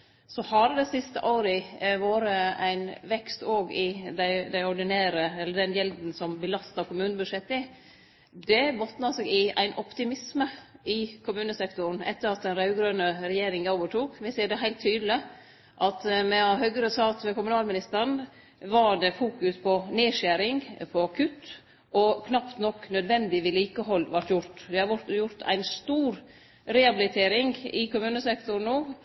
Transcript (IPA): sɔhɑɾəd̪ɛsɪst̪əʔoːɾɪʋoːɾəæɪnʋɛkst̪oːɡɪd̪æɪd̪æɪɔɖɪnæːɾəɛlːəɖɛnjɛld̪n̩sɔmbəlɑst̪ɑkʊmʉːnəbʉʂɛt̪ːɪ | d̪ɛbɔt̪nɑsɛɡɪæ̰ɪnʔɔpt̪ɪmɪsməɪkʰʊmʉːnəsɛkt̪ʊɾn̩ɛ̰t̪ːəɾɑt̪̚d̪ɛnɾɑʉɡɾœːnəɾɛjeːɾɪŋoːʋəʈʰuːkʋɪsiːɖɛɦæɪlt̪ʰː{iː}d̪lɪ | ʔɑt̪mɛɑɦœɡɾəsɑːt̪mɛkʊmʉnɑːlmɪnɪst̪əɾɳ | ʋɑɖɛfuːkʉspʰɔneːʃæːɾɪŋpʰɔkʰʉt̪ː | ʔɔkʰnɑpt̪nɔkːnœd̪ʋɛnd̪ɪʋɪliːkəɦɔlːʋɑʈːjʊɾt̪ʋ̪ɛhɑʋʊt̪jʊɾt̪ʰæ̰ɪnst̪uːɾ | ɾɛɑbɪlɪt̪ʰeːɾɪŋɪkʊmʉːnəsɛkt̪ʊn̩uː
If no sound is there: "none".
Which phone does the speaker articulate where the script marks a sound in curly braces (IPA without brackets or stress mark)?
yː